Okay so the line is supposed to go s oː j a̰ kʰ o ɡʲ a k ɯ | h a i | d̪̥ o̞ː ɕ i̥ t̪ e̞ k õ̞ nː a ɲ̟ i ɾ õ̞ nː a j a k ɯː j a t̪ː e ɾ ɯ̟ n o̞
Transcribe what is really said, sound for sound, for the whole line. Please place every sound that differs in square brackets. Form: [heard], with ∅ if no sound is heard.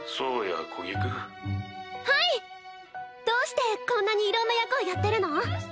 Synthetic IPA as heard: s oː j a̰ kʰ o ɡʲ [i] k ɯ | h a i | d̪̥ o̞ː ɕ i̥ t̪ e̞ k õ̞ nː a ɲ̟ [iː] ɾ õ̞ nː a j a k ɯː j a t̪ː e ɾ ɯ̟ n o̞

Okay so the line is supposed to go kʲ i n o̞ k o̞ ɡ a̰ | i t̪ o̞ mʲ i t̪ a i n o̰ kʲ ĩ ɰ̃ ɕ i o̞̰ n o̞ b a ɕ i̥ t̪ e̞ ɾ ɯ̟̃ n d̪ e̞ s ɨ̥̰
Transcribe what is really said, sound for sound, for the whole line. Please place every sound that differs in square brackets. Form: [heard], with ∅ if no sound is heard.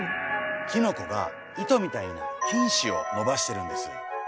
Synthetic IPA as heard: kʲ i n o̞ k o̞ ɡ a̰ | i t̪ o̞ mʲ i t̪ a i n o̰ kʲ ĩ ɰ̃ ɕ i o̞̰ n o̞ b a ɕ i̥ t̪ e̞ ɾ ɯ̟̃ n d̪ e̞ s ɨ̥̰

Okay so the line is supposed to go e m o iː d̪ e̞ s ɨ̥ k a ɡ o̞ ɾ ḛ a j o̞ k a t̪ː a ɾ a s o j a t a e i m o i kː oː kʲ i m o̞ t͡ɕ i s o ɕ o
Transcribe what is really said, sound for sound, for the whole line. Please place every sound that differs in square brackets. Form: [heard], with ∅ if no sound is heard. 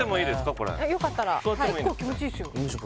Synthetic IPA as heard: e m o iː d̪ e̞ s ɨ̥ k a [k] o̞ ɾ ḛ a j o̞ k a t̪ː a ɾ a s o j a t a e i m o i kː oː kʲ i m o̞ t͡ɕ i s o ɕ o

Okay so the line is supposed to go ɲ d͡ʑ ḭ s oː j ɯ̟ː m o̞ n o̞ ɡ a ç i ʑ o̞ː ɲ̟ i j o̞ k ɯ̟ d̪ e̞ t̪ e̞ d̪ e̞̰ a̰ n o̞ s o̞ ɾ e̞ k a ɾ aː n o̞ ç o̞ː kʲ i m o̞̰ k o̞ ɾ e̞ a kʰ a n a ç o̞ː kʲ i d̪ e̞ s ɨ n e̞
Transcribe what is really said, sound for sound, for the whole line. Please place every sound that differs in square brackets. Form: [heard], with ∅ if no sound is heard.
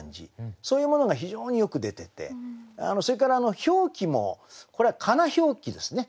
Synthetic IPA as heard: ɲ d͡ʑ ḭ s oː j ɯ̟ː m o̞ n o̞ ɡ a ç i ʑ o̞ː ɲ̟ i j o̞ k ɯ̟ d̪ e̞ t̪ e̞ [t̪] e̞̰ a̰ n o̞ s o̞ ɾ e̞ k a ɾ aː n o̞ ç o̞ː kʲ i m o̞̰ k o̞ ɾ e̞ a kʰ a n a ç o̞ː kʲ i d̪ e̞ s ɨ n e̞

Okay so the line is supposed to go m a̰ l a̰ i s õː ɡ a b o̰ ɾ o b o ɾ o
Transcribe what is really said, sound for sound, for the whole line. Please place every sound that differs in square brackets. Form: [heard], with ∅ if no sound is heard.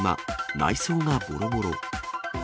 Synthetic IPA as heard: m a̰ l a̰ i s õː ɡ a b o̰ ɾ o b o ɾ o

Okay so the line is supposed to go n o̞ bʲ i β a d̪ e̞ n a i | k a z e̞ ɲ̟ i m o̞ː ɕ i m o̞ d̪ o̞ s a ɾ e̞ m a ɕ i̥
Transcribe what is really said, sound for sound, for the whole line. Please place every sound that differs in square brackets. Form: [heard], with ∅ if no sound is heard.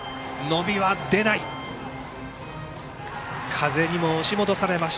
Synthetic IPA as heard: n o̞ bʲ i β a d̪ e̞ n a i | [kʰ] a z e̞ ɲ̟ i m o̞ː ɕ i m o̞ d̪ o̞ s a ɾ e̞ m a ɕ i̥

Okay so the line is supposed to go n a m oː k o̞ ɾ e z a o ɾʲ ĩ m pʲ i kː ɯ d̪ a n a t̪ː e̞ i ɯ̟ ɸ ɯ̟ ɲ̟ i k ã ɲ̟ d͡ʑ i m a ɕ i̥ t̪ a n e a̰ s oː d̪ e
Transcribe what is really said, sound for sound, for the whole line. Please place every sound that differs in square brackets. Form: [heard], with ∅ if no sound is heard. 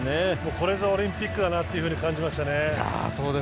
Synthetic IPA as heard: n [e] m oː k o̞ ɾ e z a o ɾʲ ĩ m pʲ i kː ɯ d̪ a n a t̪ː e̞ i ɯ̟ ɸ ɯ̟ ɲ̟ i k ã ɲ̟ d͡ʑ i m a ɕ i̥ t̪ a n e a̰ s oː d̪ e

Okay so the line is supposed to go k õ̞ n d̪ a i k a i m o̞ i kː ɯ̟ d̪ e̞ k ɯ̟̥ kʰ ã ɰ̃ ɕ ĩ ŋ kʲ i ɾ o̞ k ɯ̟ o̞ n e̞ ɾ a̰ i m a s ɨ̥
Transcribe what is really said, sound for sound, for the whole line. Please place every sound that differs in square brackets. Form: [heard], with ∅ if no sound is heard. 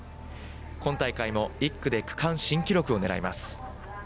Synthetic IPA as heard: k õ̞ n [t̪] a i k a i m o̞ i kː ɯ̟ d̪ e̞ k ɯ̟̥ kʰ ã ɰ̃ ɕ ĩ ŋ kʲ i ɾ o̞ k ɯ̟ o̞ n e̞ ɾ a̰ i m a s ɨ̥

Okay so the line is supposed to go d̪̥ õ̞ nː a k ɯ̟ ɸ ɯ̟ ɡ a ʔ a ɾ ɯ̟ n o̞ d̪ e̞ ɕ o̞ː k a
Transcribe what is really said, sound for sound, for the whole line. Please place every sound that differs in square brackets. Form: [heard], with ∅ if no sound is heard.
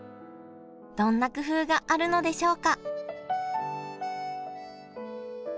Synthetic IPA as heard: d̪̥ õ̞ nː a k ɯ̟ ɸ [ɯ̟ː] ɡ a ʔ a ɾ ɯ̟ n o̞ d̪ e̞ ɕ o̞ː k a

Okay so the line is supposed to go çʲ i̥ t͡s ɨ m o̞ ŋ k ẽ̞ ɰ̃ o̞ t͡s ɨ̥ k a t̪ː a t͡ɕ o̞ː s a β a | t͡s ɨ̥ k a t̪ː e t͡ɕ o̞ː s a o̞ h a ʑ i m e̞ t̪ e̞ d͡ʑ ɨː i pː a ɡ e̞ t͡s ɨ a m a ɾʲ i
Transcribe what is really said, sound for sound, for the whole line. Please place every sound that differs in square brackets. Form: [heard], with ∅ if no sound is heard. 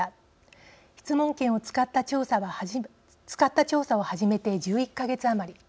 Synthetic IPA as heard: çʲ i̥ t͡s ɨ m [õ̞] ŋ k ẽ̞ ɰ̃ o̞ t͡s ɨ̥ k a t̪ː a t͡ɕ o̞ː s a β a | t͡s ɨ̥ k a t̪ː [a] t͡ɕ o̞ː s a o̞ h a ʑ i m e̞ t̪ e̞ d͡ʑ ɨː i [kː] a ɡ e̞ t͡s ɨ a m a ɾʲ i

